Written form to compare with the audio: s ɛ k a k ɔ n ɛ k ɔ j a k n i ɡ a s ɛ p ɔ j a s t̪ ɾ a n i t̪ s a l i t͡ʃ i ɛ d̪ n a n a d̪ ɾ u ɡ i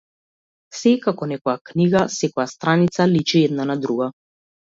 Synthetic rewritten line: s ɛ k a k ɔ n ɛ k ɔ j a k n i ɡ a s ɛ k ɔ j a s t̪ ɾ a n i t̪ s a l i t͡ʃ i ɛ d̪ n a n a d̪ ɾ u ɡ a